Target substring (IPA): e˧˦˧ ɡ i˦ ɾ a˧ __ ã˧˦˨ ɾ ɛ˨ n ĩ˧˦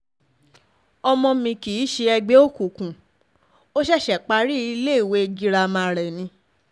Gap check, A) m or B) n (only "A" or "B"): A